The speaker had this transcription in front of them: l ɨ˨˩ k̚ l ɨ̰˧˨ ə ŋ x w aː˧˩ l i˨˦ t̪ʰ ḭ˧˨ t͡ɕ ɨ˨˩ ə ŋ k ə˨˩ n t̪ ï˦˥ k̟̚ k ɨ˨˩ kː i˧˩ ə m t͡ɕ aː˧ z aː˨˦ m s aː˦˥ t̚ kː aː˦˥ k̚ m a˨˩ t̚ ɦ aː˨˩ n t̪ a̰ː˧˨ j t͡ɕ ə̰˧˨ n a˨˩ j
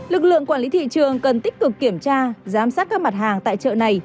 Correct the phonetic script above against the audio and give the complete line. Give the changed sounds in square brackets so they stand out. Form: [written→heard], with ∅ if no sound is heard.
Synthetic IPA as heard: l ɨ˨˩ k̚ l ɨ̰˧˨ ə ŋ [x→k] w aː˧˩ l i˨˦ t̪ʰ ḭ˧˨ t͡ɕ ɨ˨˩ ə ŋ k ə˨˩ n t̪ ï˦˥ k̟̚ k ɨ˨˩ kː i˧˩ ə m t͡ɕ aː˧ z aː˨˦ m s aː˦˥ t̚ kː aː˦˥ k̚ m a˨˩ t̚ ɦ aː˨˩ [n→ŋ] t̪ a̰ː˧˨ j t͡ɕ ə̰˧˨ n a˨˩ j

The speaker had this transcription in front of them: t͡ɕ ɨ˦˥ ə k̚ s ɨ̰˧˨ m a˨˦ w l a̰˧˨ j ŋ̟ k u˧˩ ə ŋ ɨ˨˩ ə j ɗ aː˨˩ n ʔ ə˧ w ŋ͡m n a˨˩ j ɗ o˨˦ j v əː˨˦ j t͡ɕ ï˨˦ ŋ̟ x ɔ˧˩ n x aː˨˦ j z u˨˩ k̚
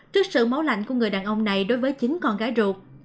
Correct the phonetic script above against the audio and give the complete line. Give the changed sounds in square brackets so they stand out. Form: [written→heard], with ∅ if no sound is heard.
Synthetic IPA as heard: t͡ɕ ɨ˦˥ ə k̚ s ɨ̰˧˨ m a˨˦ w l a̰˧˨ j ŋ̟ k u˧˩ ə ŋ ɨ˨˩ ə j ɗ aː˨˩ n ʔ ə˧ w ŋ͡m n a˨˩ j ɗ o˨˦ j v əː˨˦ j t͡ɕ ï˨˦ ŋ̟ [x→k] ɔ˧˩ n [x→ɣ] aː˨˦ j z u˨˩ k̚

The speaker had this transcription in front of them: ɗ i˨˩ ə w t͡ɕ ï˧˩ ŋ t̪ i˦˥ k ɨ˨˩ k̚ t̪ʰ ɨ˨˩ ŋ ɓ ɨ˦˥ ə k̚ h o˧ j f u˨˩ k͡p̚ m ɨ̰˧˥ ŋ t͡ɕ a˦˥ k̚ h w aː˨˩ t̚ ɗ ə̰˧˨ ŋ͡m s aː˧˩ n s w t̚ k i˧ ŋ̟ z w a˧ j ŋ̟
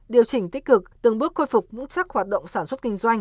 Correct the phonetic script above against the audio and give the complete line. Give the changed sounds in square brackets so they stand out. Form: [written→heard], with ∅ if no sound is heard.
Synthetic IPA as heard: ɗ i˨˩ ə w t͡ɕ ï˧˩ ŋ t̪ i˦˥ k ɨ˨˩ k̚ [t̪ʰ→t̪] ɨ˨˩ ŋ ɓ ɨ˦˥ ə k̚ [h→x] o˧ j f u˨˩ k͡p̚ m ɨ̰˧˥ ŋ t͡ɕ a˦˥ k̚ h w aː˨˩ t̚ ɗ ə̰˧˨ ŋ͡m s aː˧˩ n s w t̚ k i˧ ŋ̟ z w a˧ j ŋ̟

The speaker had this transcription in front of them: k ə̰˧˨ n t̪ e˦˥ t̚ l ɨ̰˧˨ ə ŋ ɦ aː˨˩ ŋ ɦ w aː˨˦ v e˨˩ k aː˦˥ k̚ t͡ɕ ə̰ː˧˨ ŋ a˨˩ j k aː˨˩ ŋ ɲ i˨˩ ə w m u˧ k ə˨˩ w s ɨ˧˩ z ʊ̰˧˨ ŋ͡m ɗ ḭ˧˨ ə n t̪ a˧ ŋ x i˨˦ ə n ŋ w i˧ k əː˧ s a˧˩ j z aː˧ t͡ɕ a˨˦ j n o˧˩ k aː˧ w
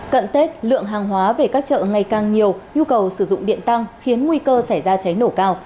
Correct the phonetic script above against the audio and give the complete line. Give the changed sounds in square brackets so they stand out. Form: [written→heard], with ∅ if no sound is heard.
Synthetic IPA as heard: k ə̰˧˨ n t̪ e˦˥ t̚ l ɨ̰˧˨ ə ŋ ɦ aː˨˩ ŋ ɦ w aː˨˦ v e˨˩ k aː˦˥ k̚ t͡ɕ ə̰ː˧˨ ŋ a˨˩ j k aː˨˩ ŋ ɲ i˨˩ ə w [m→ɲ] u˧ k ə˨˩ w s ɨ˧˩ z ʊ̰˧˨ ŋ͡m ɗ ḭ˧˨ ə n t̪ a˧ ŋ x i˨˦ ə n ŋ w i˧ k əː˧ s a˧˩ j z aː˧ t͡ɕ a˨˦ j n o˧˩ k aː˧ w

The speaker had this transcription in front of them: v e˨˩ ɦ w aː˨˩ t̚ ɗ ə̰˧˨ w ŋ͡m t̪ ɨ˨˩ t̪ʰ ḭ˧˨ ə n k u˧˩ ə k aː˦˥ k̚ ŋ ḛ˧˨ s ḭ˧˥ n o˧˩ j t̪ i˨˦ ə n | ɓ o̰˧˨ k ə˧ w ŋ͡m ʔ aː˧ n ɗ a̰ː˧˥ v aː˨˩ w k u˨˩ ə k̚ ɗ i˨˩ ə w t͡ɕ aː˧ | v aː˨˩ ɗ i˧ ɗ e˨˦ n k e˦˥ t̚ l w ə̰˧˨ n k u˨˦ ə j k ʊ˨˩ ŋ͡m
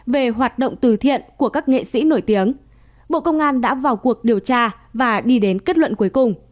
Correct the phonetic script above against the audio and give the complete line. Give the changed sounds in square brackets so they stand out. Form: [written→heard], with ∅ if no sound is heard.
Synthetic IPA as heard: v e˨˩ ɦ w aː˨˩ t̚ ɗ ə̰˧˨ w ŋ͡m t̪ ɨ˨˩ t̪ʰ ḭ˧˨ ə n k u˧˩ ə k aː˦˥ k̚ ŋ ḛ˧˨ s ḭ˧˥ n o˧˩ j t̪ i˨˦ ə [n→ŋ] | ɓ o̰˧˨ k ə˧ w ŋ͡m ʔ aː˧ n ɗ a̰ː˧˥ v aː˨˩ w k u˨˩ ə k̚ ɗ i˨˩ ə w t͡ɕ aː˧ | v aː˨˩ ɗ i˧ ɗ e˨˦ n k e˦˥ t̚ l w ə̰˧˨ n k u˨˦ ə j k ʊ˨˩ ŋ͡m

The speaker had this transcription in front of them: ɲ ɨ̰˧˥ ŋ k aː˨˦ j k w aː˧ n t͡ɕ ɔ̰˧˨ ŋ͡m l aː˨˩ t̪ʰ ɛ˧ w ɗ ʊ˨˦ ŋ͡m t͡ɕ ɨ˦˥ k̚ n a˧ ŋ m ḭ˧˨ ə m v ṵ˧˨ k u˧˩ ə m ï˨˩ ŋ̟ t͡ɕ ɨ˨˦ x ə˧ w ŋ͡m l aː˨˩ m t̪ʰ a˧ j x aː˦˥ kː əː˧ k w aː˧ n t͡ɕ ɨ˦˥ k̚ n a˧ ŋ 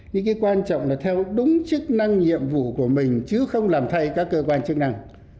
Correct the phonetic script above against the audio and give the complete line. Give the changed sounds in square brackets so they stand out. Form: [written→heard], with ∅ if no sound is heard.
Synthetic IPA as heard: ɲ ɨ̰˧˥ ŋ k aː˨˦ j k w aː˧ n t͡ɕ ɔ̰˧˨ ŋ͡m l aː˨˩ t̪ʰ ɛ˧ w ɗ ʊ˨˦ ŋ͡m t͡ɕ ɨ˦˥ k̚ n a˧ ŋ [m→ɲ] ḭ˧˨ ə m v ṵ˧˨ k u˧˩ ə m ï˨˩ ŋ̟ t͡ɕ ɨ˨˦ x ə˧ w ŋ͡m l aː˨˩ m t̪ʰ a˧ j [x→k] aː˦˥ kː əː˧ k w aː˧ n t͡ɕ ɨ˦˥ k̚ n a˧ ŋ

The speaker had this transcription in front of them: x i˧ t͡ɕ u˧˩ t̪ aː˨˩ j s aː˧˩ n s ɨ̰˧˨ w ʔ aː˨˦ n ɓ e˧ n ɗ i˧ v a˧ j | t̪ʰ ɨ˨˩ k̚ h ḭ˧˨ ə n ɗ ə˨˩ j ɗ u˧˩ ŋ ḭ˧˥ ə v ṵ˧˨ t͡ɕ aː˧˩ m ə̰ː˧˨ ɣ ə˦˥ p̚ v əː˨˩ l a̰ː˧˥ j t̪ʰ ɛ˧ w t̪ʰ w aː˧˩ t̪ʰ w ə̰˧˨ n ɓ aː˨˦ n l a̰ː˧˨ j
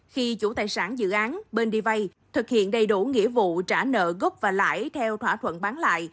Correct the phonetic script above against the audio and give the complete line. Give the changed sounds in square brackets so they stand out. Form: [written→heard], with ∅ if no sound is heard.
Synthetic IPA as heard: x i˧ t͡ɕ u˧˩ t̪ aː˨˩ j s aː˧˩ n [s→z] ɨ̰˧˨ [w→∅] ʔ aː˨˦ n ɓ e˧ n ɗ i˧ v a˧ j | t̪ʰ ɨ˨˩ k̚ h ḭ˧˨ ə n ɗ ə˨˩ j ɗ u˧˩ ŋ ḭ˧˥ ə v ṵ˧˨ t͡ɕ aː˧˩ [m→n] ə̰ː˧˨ ɣ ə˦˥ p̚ v [əː˨˩→aː˨˩] l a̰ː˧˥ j t̪ʰ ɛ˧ w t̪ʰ w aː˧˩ t̪ʰ w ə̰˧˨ n ɓ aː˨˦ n l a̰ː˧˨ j

